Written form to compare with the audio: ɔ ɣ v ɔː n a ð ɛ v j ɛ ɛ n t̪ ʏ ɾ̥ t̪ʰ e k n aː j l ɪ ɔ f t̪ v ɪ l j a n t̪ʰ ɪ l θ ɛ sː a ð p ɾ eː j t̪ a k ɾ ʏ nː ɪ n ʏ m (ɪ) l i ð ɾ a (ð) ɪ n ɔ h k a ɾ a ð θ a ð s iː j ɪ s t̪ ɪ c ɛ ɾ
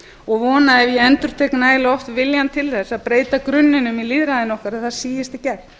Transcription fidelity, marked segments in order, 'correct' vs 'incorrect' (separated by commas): incorrect, correct